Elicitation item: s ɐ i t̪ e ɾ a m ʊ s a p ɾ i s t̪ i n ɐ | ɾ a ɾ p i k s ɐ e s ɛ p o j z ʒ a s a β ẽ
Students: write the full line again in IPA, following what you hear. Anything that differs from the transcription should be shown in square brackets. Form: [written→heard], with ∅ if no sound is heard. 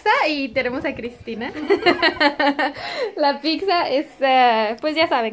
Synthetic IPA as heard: s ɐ i t̪ e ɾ [a→e] m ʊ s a [p→k] ɾ i s t̪ i n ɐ | [ɾ→l] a [ɾ→∅] p i k s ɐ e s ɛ p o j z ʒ a s a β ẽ